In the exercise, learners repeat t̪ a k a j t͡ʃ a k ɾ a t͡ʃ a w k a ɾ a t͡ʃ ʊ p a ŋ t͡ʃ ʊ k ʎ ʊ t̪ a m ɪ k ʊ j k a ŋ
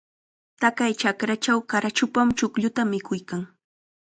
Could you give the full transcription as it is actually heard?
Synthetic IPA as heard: t̪ a k a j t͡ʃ a k ɾ a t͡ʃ a w k a ɾ a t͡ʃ ʊ p a m t͡ʃ ʊ k ʎ ʊ t̪ a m ɪ k ʊ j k a ŋ